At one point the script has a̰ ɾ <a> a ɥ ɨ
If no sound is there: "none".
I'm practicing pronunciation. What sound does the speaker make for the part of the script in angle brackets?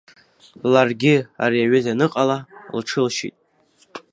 i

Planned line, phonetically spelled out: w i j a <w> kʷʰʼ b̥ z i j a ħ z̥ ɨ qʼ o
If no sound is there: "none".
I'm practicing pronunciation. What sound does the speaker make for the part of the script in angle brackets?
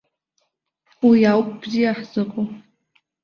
w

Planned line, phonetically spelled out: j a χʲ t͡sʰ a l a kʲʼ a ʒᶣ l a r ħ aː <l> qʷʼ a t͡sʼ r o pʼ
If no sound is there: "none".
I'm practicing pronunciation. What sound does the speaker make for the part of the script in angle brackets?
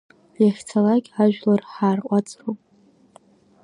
r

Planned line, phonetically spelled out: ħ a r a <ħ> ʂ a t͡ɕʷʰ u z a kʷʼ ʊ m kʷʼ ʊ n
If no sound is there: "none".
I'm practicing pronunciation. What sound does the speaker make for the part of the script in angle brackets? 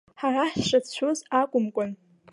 ħ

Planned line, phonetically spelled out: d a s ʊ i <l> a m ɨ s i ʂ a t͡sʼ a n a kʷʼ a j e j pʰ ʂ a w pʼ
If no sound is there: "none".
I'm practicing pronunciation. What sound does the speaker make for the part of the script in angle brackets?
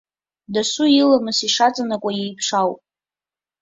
l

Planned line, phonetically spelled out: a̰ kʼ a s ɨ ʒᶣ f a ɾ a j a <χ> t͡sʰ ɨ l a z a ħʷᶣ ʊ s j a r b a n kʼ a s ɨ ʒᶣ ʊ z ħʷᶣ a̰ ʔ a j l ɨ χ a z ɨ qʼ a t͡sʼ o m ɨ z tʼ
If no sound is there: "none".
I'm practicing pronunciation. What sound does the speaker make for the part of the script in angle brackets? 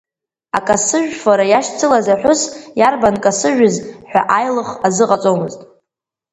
ʃ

